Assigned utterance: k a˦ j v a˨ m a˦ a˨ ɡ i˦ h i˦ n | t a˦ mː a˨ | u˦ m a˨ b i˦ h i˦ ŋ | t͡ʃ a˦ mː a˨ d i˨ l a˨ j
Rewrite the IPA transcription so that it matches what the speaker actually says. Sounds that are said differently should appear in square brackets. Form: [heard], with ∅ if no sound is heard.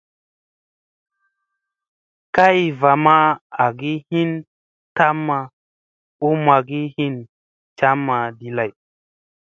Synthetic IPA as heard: k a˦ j v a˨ m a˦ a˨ ɡ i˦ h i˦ n | t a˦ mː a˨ | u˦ m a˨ [ɡ] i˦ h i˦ [n] | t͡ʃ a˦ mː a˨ d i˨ l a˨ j